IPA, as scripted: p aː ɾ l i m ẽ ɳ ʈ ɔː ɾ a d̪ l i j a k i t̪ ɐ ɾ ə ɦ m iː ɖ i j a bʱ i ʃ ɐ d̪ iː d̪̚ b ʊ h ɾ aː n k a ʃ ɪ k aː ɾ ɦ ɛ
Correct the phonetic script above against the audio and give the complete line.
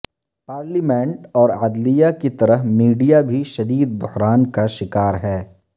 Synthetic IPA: p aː ɾ l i m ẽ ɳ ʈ ɔː ɾ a d̪ l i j a k i t̪ ɐ ɾ ə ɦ m iː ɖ i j a bʱ i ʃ ɐ d̪ iː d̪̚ b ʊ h ɾ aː n k a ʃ ɪ k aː ɾ ɦ ɛː